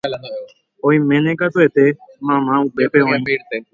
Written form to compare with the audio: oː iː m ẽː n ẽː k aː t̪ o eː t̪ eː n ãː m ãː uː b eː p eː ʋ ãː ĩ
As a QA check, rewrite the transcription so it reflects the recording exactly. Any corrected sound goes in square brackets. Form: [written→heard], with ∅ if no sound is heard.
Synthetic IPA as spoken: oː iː m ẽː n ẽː k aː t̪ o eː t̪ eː [n→m] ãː m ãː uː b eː p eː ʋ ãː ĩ